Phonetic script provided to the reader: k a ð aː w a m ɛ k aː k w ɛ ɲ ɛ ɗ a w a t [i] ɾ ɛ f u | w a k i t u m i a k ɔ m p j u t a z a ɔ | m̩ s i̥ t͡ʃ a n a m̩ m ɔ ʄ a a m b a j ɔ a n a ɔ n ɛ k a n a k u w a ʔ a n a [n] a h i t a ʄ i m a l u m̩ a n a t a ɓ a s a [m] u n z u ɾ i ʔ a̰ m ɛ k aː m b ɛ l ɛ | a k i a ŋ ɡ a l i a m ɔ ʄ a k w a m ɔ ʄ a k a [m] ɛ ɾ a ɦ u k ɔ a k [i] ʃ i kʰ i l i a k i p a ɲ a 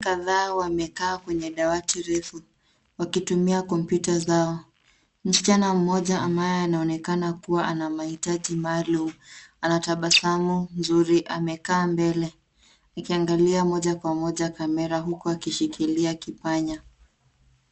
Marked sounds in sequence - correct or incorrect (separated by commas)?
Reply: correct, incorrect, correct, correct, correct